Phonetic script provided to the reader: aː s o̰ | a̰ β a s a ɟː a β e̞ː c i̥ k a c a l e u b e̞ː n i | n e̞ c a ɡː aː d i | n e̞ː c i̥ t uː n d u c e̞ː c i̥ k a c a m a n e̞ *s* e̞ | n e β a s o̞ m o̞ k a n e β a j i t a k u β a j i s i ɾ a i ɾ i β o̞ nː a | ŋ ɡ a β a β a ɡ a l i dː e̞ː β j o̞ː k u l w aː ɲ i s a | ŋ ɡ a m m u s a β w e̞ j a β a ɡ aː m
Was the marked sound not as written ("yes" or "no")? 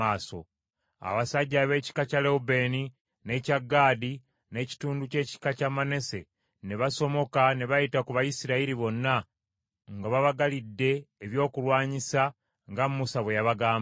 no